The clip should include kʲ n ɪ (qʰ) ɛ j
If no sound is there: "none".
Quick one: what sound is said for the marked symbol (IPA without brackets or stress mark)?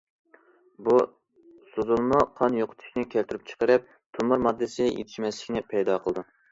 pʰ